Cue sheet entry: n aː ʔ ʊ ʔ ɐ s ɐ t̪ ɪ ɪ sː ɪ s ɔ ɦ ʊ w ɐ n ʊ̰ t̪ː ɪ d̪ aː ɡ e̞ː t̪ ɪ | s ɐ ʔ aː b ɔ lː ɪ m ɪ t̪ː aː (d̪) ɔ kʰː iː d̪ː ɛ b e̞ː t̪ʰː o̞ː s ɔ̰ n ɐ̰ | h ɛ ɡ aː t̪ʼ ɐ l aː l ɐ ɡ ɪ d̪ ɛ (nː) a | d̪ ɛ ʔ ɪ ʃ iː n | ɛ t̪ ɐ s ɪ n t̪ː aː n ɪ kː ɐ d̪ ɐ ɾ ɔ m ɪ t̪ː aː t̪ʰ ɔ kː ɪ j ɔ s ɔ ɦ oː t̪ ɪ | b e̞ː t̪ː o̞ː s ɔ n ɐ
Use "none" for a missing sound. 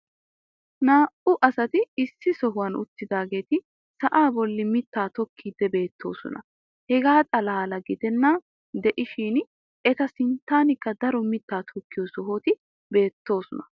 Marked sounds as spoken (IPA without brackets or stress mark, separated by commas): t̪, nː